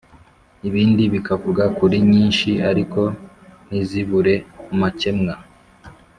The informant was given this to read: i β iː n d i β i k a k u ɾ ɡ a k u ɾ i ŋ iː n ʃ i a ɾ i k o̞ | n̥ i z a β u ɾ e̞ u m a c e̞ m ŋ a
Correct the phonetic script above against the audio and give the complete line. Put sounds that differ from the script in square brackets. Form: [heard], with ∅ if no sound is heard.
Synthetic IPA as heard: i β iː n d i β i k a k u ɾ ɡ a k u ɾ i [ɲ] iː n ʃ i a ɾ i k o̞ | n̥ i z [i] β u ɾ e̞ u m a c e̞ m ŋ a